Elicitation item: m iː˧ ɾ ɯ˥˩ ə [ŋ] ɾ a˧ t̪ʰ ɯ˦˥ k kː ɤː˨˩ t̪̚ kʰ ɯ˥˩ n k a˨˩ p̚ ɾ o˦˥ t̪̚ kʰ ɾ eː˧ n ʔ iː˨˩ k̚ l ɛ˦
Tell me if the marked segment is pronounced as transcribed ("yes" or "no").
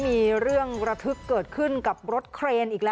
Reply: yes